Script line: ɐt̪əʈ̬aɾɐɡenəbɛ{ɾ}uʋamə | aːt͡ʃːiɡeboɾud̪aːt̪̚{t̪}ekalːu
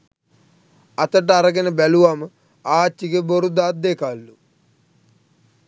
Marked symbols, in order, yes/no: no, no

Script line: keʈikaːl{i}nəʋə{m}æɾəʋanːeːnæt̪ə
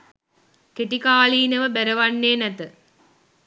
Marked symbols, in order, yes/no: no, no

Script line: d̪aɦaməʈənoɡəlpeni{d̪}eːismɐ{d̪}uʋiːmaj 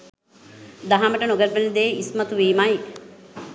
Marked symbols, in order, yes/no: yes, no

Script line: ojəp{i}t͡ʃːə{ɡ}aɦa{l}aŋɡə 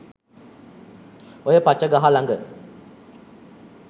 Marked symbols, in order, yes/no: no, yes, yes

